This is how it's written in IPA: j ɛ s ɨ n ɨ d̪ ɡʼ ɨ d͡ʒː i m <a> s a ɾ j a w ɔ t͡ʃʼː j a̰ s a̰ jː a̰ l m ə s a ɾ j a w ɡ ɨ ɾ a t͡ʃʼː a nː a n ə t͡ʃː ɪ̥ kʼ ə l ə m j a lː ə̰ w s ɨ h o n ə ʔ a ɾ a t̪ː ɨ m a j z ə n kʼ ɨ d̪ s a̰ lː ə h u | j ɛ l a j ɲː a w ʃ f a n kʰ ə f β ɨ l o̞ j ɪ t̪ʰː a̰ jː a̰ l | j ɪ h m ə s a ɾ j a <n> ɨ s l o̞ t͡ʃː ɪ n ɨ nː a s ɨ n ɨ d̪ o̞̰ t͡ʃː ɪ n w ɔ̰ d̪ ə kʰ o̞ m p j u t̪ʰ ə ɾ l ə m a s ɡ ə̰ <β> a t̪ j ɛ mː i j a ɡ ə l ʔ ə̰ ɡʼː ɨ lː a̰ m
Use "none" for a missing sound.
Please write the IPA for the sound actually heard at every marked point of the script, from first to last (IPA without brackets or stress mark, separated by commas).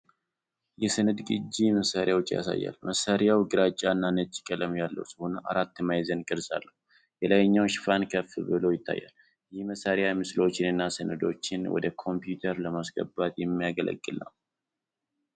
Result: ə, m, b